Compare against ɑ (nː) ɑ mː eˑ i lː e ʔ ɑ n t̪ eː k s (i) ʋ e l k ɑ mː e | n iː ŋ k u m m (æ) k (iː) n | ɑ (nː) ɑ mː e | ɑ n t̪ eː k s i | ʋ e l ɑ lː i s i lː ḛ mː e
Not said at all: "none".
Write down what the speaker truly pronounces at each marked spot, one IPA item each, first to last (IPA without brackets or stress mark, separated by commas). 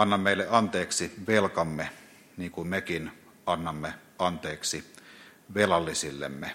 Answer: nː, i, e, i, nː